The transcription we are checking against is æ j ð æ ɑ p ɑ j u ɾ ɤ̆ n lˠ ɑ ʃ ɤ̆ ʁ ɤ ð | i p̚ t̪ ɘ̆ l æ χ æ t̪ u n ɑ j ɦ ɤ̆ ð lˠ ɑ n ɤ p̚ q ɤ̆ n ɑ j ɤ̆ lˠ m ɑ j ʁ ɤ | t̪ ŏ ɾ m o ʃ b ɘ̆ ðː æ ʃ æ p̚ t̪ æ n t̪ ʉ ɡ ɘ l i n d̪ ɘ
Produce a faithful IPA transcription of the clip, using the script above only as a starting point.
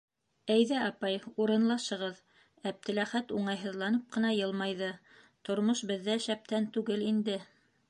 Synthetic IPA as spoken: æ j ð æ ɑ p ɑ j u ɾ ɤ̆ n lˠ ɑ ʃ ɤ̆ ʁ ɤ ð | æ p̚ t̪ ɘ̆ l æ χ æ t̪ u ɴ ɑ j ɦ ɤ̆ ð lˠ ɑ n ɤ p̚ q ɤ̆ n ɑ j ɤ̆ lˠ m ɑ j ð ɤ | t̪ ŏ ɾ m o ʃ b ɘ̆ ðː æ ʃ æ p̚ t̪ æ n t̪ ʉ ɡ ɘ l i n d̪ ɘ